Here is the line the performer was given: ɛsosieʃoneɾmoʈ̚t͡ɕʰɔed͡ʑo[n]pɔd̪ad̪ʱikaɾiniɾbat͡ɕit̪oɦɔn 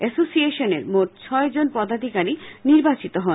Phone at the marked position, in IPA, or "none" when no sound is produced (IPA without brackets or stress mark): n